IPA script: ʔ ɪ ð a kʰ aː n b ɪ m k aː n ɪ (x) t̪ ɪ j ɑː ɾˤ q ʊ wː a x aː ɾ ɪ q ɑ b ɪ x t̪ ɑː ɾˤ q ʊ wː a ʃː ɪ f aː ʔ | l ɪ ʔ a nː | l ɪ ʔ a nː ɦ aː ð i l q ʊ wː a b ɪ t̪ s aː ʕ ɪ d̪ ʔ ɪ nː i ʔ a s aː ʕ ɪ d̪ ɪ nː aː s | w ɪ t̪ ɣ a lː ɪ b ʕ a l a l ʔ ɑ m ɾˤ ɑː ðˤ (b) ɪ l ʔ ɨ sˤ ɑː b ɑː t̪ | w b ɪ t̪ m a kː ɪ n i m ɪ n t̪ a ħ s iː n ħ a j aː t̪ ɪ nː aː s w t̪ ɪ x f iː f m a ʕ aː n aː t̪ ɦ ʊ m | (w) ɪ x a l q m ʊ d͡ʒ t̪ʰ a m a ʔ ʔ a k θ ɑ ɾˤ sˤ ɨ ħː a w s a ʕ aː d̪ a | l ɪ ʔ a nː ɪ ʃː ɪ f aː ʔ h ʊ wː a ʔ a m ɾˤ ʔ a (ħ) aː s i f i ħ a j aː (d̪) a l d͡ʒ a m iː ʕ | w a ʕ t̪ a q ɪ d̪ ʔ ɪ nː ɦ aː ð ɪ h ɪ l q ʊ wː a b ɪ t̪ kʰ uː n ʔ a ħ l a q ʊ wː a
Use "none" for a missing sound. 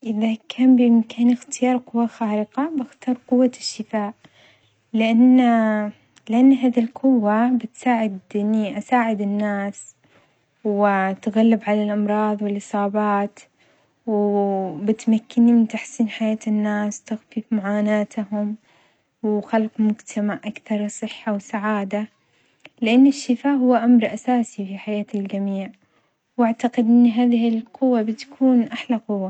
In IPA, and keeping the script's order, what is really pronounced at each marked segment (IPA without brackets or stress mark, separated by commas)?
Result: x, w, w, s, t̪